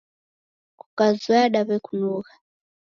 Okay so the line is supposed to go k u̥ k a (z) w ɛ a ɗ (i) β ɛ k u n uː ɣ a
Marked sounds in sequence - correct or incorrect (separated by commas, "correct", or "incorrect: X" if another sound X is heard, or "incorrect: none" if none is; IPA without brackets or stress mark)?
correct, incorrect: a